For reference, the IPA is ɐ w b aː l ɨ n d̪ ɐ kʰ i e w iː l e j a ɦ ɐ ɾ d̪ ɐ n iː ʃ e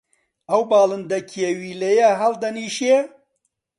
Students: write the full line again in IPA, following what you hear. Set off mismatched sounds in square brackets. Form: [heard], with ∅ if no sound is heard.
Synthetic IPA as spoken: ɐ w b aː l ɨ n d̪ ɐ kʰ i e w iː l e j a ɦ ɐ [l] d̪ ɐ n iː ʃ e